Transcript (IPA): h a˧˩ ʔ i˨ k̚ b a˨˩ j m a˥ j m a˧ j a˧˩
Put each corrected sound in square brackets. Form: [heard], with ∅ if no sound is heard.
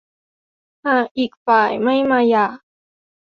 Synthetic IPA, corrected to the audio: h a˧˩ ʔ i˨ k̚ [p] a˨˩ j m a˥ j m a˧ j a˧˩